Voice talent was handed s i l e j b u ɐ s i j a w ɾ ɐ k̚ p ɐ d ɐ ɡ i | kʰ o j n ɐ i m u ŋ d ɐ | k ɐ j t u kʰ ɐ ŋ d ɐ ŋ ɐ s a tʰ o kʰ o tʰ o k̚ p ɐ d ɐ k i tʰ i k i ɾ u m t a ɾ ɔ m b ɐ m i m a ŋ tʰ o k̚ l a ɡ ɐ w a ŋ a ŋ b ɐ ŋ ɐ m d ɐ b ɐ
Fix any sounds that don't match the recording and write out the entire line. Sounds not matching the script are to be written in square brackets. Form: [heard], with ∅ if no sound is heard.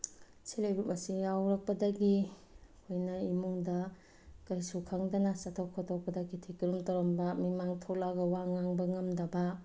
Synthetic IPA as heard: s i l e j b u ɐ s i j a w ɾ ɐ k̚ p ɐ d ɐ ɡ i | kʰ o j n ɐ i m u ŋ d ɐ | k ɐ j [s] u kʰ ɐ ŋ d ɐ [n] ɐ s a tʰ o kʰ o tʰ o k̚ p ɐ d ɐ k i tʰ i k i ɾ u m t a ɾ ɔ m b ɐ m i m a ŋ tʰ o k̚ l a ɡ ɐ w a ŋ a ŋ b ɐ ŋ ɐ m d ɐ b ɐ

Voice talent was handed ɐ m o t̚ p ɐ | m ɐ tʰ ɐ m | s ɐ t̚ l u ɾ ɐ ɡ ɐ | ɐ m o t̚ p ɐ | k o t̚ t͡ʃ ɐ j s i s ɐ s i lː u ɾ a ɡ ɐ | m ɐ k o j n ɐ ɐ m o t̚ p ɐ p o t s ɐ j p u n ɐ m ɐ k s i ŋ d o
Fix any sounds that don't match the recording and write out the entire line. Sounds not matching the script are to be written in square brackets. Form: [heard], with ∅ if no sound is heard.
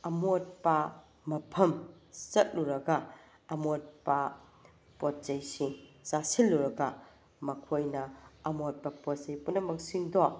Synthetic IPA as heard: ɐ m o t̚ p ɐ | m ɐ [pʰ] ɐ m | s ɐ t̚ l u ɾ ɐ ɡ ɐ | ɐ m o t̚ p ɐ | [p] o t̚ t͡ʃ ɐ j s i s [a] s i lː u ɾ [ɐ] ɡ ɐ | m ɐ [kʰ] o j n ɐ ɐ m o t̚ p ɐ p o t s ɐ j p u n ɐ m ɐ k s i ŋ d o

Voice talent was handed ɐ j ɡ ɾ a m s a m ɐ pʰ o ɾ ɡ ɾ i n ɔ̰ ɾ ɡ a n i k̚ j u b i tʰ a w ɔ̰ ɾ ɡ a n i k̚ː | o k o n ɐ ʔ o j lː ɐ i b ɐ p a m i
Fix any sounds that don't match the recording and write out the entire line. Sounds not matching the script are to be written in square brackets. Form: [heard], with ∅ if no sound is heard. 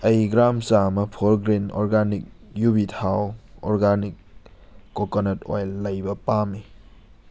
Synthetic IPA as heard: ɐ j ɡ ɾ a m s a m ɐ pʰ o ɾ ɡ ɾ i n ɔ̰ ɾ ɡ a n i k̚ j u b i tʰ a w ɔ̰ ɾ ɡ a n i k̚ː | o k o n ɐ [t] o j lː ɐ [j] b ɐ p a m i

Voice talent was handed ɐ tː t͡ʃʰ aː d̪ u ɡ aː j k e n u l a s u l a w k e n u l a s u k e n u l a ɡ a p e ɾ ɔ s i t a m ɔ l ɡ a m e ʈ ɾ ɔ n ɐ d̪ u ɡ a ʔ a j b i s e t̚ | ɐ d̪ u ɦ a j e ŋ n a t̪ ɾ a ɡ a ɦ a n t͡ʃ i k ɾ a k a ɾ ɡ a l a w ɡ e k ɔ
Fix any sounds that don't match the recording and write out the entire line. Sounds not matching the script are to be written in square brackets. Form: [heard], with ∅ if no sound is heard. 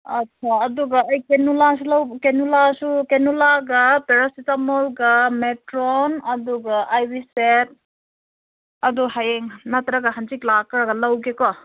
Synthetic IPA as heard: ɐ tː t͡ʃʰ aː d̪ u ɡ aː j k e n u l a s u l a w k e n u l a s u k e n u l a ɡ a p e ɾ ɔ s i t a m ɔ l ɡ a m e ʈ ɾ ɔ n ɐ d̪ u ɡ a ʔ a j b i s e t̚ | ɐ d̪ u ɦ a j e ŋ n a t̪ ɾ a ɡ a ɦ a n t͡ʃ i k [l] a k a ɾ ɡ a l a w ɡ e k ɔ

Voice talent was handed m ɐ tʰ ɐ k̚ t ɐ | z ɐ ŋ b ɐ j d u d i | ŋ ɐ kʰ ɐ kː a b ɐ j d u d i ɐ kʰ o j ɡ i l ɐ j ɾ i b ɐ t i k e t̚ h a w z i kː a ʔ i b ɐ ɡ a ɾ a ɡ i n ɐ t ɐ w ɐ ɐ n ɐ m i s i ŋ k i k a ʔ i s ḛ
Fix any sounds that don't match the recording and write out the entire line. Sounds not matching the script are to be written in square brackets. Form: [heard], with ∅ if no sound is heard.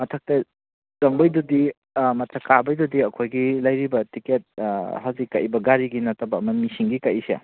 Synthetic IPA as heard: m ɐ tʰ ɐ k̚ t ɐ | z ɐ ŋ b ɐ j d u d i | [m] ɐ [tʰ] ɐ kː a b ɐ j d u d i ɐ kʰ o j ɡ i l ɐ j ɾ i b ɐ t i k e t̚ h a w z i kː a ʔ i b ɐ ɡ a ɾ [i] ɡ i n ɐ t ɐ [b] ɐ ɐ [m] ɐ m i s i ŋ [ɡ] i k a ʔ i s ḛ

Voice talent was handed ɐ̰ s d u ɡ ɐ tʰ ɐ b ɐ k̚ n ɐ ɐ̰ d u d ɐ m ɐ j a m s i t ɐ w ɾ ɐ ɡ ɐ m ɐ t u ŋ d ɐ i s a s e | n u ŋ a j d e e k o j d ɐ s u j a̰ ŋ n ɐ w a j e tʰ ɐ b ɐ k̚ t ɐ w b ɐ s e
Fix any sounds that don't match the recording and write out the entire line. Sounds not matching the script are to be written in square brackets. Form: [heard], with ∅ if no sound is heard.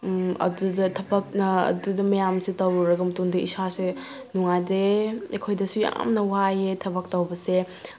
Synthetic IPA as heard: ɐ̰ [∅] d u [d] ɐ tʰ ɐ b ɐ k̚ n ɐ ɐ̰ d u d ɐ m ɐ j a m s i t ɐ w ɾ ɐ ɡ ɐ m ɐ t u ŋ d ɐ i s a s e | n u ŋ a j d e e [kʰ] o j d ɐ s u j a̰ [m] n ɐ w a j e tʰ ɐ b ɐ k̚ t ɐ w b ɐ s e

